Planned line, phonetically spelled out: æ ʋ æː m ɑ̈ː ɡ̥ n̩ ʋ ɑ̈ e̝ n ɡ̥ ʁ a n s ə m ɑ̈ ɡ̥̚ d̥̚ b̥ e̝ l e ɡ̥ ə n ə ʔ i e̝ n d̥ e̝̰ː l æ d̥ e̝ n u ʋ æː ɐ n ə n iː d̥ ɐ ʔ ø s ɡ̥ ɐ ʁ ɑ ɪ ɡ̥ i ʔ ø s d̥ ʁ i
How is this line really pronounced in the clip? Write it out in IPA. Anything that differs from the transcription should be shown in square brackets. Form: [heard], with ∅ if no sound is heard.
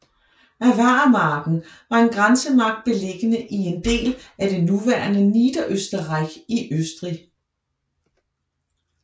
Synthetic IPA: æ ʋ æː m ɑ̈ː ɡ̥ n̩ ʋ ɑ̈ e̝ n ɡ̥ ʁ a n s ə m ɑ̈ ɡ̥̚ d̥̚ b̥ e̝ l e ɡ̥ ə n ə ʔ i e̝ n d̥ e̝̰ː l æ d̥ e̝ n u ʋ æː ɐ n ə n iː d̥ ɐ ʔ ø s [d̥] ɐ ʁ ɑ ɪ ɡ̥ i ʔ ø s d̥ ʁ i

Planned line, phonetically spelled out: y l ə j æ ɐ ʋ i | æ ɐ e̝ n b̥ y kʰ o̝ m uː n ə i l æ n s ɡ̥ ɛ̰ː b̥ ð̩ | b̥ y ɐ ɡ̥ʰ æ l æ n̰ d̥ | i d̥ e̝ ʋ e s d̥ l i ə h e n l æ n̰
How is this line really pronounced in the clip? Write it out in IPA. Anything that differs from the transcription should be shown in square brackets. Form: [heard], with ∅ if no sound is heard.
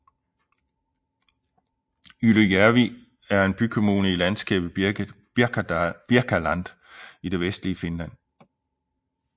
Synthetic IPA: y l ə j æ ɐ ʋ i | æ ɐ e̝ n b̥ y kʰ o̝ m uː n ə i l æ n s ɡ̥ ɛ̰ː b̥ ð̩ | b̥ [i] ɐ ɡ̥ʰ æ l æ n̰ d̥ | i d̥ e̝ ʋ e s d̥ l i ə [f] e n l æ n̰

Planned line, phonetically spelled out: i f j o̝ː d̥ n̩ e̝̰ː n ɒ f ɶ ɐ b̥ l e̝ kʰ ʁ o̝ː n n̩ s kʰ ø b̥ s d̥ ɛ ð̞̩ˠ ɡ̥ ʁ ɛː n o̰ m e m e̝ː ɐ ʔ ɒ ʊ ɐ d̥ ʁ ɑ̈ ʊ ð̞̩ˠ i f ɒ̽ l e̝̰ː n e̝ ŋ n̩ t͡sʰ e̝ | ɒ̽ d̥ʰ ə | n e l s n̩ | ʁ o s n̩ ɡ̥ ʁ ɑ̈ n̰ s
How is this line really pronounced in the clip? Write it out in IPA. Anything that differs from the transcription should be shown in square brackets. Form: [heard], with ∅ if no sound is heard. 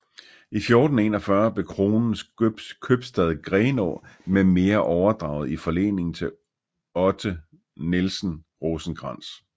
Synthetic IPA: i f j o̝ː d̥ n̩ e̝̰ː n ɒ f ɶ ɐ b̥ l e̝ kʰ ʁ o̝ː n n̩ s kʰ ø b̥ s d̥ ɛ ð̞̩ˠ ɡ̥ ʁ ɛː n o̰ m e m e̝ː ɐ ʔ ɒ ʊ ɐ d̥ ʁ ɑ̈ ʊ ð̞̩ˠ i f ɒ̽ l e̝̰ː n e̝ ŋ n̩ t͡sʰ e̝ | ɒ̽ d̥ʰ ə | n e l s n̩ | ʁ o s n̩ ɡ̥ ʁ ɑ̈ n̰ s

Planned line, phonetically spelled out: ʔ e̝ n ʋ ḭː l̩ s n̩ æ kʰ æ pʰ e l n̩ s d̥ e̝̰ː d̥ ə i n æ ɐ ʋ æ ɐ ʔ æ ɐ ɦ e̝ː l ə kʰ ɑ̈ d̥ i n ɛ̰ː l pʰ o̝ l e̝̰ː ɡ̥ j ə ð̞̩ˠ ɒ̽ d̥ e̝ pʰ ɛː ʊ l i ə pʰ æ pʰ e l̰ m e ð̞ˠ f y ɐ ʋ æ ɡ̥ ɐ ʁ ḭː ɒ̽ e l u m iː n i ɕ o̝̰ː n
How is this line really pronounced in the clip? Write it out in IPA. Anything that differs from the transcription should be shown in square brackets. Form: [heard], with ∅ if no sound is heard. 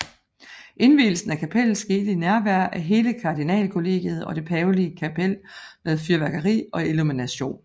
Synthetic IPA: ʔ e̝ n ʋ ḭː l̩ s n̩ æ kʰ æ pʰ e l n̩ s [ɡ̥] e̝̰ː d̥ ə i n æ ɐ ʋ æ ɐ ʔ æ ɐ ɦ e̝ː l ə kʰ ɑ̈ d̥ i n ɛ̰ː l [kʰ] o̝ l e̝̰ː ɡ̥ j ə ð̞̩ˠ ɒ̽ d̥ e̝ pʰ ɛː ʊ l i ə [kʰ] æ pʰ e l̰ m e ð̞ˠ f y ɐ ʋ æ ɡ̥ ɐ ʁ ḭː ɒ̽ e l u m [i] n [æ] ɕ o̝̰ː n

